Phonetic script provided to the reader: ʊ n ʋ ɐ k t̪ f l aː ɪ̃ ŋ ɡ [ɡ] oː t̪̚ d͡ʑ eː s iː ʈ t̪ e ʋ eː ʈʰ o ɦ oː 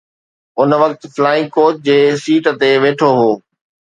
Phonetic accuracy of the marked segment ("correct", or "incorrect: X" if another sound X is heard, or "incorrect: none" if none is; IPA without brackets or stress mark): incorrect: k